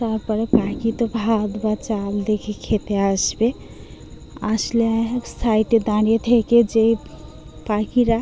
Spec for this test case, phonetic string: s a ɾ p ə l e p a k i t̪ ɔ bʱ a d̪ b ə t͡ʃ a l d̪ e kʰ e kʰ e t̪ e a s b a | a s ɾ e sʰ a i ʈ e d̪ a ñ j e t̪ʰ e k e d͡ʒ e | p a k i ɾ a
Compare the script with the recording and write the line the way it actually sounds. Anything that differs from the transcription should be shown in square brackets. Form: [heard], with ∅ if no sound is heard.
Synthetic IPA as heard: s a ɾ p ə [ɾ] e p a k i t̪ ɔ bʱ a d̪ b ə t͡ʃ a l d̪ e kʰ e kʰ e t̪ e a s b [e] | a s [l] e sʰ a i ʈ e d̪ a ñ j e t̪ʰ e k e d͡ʒ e | p a k i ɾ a